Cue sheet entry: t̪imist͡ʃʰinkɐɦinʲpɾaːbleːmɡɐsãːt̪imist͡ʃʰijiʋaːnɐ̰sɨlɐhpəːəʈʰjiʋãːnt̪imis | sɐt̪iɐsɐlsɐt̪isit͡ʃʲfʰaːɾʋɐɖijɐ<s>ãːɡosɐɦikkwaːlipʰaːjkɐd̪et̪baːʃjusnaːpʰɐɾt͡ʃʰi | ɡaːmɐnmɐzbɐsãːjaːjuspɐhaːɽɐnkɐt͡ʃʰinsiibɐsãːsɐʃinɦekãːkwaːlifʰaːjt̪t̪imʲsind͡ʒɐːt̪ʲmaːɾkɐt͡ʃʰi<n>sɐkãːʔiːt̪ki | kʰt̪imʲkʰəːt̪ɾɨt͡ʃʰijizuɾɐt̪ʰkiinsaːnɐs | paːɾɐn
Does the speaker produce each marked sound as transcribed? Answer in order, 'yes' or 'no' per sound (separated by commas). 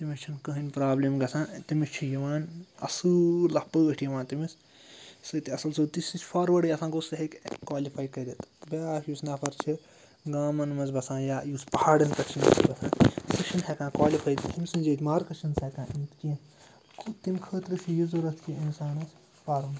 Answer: yes, yes